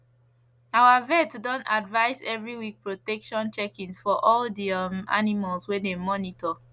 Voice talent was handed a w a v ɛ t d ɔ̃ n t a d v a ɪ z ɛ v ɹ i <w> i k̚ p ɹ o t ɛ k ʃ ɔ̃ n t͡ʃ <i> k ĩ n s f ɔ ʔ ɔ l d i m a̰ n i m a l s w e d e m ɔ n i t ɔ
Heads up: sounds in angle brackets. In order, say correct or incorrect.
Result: correct, incorrect: ɛ

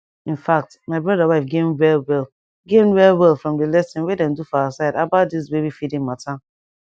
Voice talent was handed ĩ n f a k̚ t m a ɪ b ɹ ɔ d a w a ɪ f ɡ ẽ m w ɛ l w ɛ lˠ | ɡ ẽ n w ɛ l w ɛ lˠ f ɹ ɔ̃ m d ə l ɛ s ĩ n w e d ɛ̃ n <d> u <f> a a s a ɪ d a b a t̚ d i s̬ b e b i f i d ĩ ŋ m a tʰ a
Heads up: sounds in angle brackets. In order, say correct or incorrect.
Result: correct, correct

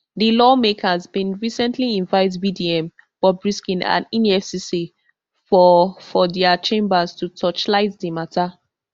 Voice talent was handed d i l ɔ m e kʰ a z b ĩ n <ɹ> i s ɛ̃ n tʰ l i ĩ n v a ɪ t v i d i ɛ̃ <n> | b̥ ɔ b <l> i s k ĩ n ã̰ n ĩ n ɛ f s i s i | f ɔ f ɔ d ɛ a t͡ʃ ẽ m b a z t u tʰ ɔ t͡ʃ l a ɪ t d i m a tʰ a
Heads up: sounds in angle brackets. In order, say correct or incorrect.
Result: correct, incorrect: m, incorrect: ɹ

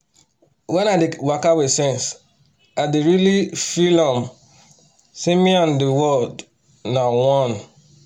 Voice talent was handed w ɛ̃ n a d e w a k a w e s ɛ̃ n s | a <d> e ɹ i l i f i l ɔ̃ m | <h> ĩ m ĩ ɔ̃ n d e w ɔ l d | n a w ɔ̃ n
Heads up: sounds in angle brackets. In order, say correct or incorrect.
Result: correct, incorrect: s

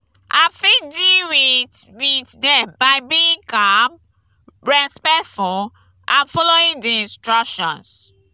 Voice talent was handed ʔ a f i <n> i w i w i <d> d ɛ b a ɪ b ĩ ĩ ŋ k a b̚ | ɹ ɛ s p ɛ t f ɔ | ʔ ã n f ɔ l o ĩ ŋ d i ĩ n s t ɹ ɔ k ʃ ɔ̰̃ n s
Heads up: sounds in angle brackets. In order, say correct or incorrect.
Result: incorrect: d, incorrect: t

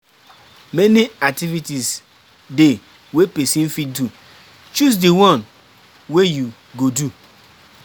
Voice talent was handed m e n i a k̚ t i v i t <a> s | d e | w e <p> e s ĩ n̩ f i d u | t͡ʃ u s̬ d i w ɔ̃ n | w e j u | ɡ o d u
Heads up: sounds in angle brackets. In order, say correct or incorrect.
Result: incorrect: i, correct

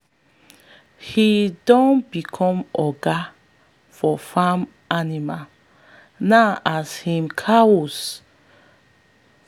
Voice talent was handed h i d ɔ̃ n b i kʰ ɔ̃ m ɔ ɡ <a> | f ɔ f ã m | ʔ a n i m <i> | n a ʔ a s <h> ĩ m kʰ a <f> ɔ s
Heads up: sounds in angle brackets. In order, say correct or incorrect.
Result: correct, incorrect: a, correct, incorrect: none

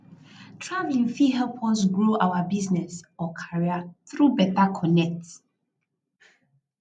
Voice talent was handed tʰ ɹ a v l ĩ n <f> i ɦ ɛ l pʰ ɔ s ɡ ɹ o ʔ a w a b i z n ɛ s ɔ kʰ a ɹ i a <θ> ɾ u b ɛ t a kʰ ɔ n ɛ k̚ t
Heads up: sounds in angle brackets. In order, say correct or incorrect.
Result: correct, correct

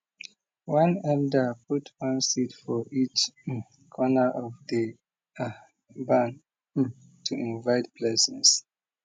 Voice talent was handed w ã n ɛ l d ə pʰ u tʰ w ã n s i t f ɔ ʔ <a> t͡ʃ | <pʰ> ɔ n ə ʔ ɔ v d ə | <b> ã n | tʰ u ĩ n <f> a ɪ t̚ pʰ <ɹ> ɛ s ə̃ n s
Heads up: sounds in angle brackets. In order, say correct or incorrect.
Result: incorrect: i, incorrect: kʰ, correct, incorrect: v, incorrect: l

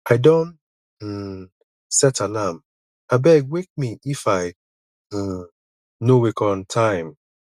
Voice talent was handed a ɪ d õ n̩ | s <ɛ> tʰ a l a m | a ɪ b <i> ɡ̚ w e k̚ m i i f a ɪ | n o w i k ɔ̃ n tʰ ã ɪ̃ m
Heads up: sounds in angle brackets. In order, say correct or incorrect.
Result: correct, incorrect: ɛ

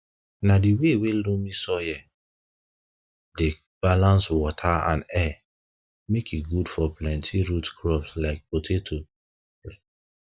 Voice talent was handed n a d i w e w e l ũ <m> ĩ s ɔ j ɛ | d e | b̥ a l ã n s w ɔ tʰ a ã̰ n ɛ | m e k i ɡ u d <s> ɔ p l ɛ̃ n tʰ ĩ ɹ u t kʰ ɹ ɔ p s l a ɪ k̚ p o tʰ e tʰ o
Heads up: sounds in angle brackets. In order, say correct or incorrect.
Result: correct, incorrect: f

